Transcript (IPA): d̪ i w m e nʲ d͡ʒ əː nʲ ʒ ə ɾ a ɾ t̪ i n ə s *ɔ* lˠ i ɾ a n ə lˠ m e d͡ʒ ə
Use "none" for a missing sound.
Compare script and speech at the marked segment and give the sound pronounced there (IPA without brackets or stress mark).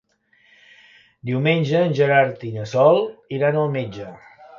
ɔ